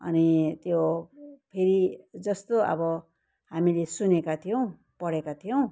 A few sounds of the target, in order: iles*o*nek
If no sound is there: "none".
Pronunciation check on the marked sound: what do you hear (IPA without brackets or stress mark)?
u